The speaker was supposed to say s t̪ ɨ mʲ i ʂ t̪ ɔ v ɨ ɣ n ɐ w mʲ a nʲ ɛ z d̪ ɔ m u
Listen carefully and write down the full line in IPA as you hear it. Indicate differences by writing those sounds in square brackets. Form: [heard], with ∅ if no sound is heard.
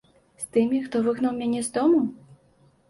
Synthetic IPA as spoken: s t̪ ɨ mʲ i [x] t̪ ɔ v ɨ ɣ n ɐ w mʲ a nʲ ɛ z d̪ ɔ m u